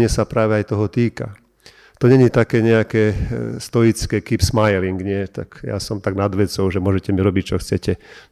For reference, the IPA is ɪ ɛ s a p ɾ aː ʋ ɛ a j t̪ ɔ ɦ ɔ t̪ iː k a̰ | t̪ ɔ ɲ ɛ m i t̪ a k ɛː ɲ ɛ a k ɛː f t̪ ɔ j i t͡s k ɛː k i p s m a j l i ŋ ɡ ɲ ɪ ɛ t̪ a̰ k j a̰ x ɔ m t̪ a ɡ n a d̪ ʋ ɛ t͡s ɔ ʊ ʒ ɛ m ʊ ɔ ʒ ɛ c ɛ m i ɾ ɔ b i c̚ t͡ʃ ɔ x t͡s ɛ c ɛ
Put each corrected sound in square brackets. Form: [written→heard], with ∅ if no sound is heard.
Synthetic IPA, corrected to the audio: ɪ ɛ s a p ɾ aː ʋ ɛ a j t̪ ɔ ɦ ɔ t̪ iː k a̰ | t̪ ɔ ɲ ɛ [m→ɲ] i t̪ a k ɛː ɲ ɛ a k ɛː [f→s] t̪ ɔ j i t͡s k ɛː k i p s m a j l i ŋ ɡ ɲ ɪ ɛ t̪ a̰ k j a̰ [x→s] ɔ m t̪ a ɡ n a d̪ ʋ ɛ t͡s ɔ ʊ ʒ ɛ m ʊ ɔ ʒ ɛ c ɛ m i ɾ ɔ b i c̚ t͡ʃ ɔ x t͡s ɛ c ɛ